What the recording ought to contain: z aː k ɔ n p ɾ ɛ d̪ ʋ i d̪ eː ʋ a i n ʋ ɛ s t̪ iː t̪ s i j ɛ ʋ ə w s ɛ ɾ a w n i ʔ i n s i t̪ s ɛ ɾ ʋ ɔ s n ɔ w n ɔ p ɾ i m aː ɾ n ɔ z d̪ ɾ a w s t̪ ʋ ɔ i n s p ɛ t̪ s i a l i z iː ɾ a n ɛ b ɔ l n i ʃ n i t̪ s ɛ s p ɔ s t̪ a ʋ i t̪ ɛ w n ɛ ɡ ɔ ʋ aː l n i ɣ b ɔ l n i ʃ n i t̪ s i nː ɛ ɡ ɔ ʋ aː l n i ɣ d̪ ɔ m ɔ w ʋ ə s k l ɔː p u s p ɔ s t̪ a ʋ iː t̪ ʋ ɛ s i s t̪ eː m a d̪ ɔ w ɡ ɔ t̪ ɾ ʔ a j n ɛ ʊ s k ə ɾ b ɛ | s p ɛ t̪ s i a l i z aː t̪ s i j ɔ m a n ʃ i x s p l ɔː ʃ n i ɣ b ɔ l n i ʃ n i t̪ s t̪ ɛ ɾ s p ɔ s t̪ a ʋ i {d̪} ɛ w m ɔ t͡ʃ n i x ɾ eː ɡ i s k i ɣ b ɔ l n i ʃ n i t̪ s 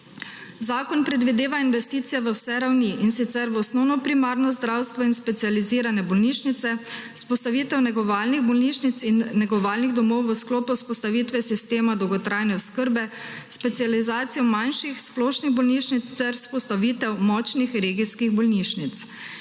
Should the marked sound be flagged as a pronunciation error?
yes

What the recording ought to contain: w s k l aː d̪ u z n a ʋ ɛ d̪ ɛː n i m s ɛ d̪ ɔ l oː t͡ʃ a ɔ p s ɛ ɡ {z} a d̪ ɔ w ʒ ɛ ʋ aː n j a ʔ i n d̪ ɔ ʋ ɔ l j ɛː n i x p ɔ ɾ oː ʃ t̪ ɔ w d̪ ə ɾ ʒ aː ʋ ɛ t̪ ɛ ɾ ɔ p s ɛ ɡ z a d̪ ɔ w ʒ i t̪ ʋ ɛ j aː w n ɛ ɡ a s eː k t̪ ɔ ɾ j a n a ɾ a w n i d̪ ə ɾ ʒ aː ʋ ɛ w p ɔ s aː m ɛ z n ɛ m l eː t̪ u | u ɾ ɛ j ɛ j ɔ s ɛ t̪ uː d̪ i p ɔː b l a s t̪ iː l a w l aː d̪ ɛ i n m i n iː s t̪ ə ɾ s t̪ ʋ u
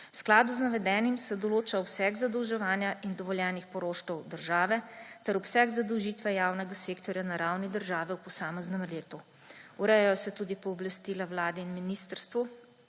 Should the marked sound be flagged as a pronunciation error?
no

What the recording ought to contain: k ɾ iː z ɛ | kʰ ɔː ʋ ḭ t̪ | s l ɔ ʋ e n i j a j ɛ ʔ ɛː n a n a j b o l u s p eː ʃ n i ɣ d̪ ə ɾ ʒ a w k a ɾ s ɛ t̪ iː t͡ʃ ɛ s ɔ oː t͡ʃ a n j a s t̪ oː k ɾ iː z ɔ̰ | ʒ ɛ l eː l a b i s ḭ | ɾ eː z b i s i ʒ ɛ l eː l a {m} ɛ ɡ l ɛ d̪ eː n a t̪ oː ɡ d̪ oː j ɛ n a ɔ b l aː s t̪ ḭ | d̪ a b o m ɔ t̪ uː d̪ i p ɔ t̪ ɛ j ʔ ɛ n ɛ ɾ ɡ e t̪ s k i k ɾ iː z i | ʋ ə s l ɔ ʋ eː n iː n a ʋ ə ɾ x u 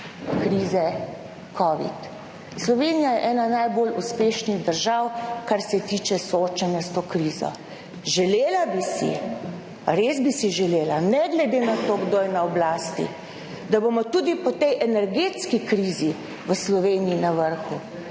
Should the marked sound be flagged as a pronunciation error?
yes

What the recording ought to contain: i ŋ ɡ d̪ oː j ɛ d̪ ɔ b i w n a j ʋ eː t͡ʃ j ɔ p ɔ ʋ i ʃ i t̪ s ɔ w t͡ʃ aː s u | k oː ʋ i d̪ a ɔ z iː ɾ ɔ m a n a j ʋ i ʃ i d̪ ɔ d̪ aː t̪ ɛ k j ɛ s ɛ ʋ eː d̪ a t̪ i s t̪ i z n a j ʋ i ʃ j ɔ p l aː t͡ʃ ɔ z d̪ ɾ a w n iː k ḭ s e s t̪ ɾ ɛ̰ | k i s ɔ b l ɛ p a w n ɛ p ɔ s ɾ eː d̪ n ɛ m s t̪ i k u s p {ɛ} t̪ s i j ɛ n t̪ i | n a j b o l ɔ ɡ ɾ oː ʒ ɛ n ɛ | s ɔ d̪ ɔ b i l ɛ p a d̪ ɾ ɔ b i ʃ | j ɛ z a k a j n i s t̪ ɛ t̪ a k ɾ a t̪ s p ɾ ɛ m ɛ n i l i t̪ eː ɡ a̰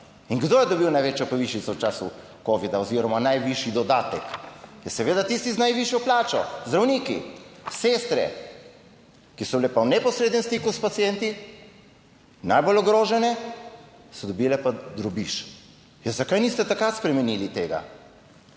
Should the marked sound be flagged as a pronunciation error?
yes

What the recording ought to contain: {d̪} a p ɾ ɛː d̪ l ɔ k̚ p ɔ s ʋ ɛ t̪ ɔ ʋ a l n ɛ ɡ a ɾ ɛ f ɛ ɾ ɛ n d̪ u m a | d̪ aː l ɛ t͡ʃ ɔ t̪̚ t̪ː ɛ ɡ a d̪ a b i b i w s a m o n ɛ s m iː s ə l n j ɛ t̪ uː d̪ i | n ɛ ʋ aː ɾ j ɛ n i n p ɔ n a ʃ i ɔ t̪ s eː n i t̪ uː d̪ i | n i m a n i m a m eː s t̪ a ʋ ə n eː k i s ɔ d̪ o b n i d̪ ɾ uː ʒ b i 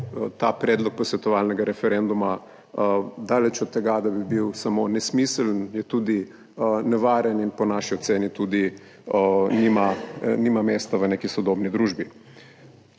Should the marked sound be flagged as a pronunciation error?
yes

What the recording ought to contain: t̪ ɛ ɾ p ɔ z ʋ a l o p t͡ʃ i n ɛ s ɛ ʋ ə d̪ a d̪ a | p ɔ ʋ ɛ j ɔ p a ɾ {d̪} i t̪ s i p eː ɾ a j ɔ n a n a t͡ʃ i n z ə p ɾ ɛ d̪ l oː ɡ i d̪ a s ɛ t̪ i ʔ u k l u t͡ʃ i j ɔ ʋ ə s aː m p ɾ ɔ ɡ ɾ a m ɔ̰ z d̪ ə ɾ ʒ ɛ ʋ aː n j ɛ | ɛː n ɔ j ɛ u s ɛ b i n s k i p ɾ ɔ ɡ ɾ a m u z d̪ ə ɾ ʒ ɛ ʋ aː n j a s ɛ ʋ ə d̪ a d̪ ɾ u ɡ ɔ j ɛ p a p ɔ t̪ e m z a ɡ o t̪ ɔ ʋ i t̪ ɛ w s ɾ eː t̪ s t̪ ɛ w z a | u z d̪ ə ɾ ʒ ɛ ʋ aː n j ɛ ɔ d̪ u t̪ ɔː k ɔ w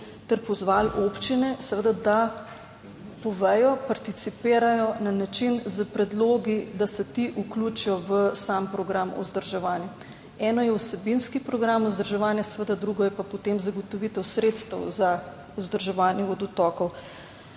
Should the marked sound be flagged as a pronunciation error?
yes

